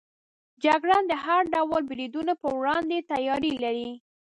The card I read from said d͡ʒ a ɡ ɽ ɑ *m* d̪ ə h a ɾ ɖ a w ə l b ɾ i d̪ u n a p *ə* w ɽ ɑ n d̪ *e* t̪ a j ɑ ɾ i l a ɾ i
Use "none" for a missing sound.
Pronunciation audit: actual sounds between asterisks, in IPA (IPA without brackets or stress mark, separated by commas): n, ə, e